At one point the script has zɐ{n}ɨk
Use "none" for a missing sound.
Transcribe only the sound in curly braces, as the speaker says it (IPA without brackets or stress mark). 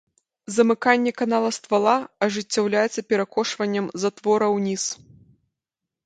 m